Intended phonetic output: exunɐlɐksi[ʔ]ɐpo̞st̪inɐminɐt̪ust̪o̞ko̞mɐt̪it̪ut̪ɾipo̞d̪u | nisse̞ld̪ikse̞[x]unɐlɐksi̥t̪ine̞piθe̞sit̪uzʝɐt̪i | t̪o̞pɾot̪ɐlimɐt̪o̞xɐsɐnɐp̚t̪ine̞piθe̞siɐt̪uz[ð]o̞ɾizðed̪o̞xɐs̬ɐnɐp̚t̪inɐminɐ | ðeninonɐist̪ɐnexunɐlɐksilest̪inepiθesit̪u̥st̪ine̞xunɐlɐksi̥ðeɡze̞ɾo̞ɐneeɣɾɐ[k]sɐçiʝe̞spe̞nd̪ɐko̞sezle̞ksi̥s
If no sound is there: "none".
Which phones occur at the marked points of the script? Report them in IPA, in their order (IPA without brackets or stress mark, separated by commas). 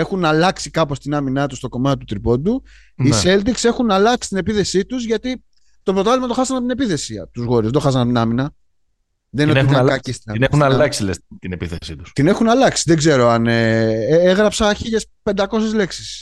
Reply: k, x, ɣ, p